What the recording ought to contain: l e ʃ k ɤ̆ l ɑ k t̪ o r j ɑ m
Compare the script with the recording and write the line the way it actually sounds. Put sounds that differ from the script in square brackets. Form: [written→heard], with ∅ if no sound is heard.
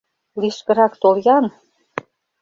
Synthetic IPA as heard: l [e→i] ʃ k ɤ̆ [l→ɾ] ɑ k t̪ o [r→l] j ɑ [m→n]